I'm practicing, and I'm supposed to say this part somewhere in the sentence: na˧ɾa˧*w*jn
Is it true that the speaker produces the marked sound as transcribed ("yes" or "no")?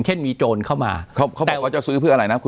no